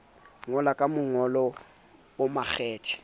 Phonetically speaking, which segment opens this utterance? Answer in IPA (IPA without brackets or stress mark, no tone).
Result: ŋ